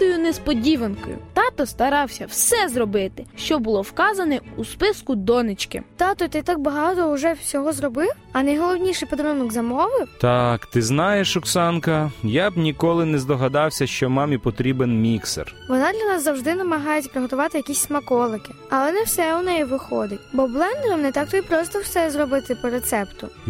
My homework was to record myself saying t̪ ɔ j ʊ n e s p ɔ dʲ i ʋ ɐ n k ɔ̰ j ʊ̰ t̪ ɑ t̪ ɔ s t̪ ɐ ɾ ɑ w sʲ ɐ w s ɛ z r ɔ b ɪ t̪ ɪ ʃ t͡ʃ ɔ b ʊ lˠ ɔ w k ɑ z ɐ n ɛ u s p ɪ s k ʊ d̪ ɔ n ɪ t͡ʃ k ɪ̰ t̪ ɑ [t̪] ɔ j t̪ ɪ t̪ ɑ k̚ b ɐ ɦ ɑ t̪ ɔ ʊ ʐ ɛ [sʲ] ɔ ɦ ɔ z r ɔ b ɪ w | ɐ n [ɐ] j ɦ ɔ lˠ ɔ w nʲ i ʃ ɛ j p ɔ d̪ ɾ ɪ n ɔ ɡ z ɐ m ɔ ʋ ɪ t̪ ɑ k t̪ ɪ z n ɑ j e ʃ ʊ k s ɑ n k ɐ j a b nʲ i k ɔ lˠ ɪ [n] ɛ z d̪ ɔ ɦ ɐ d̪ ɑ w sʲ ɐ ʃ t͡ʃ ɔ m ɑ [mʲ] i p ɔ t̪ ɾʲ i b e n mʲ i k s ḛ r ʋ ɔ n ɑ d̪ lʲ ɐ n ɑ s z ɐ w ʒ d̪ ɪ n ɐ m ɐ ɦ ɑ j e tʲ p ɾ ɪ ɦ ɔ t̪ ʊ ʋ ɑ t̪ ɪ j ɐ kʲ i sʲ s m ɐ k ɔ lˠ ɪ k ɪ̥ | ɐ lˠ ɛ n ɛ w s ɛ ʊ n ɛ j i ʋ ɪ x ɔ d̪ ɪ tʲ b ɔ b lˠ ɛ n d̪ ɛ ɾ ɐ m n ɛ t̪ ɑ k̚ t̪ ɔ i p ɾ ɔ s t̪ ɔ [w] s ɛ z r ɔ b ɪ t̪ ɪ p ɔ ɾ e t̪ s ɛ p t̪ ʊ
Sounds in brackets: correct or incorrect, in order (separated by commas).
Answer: correct, correct, correct, correct, correct, correct